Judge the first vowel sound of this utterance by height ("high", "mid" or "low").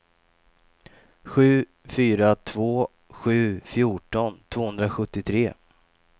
high